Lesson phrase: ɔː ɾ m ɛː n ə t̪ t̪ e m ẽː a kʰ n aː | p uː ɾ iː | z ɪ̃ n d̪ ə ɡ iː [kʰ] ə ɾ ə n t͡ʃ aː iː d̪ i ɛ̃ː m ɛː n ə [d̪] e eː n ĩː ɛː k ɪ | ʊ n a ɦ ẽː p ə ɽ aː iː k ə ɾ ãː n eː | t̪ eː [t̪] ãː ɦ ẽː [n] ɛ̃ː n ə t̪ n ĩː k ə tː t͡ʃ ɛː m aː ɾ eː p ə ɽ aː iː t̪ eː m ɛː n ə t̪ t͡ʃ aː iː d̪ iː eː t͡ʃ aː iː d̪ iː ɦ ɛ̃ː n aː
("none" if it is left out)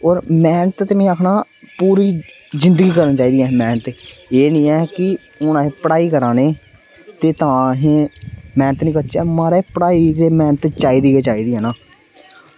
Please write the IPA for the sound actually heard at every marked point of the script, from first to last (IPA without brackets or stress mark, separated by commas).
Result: k, t̪, t̪, m